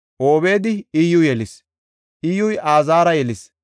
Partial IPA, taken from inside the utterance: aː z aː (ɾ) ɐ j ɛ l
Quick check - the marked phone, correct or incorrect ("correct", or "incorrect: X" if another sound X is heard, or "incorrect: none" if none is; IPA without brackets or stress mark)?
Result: correct